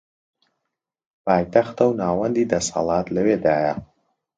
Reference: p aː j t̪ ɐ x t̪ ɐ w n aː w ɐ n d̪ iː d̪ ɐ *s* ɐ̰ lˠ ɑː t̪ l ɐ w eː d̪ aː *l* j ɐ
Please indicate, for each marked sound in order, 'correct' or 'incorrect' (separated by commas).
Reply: correct, incorrect